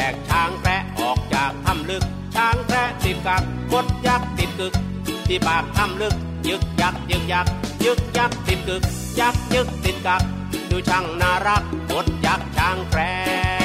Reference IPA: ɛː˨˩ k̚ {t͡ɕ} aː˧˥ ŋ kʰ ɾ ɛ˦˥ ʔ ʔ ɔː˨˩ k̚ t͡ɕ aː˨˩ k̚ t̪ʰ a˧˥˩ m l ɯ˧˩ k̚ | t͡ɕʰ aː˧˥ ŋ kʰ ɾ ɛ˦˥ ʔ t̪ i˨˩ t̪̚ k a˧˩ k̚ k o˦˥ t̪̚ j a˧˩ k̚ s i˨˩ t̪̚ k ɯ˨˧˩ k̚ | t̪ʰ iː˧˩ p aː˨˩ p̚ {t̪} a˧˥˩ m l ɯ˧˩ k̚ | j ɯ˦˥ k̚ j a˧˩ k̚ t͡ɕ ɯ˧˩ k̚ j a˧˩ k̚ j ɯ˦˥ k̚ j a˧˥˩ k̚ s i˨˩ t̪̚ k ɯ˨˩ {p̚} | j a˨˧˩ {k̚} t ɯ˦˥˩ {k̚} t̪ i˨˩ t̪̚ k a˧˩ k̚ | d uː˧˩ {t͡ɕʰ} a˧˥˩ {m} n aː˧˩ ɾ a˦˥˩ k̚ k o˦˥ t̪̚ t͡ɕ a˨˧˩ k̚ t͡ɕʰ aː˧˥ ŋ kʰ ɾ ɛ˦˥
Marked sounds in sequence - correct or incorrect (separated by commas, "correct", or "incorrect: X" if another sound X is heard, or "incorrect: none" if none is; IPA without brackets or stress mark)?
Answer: incorrect: t͡ɕʰ, incorrect: t̪ʰ, incorrect: k̚, correct, correct, correct, incorrect: ŋ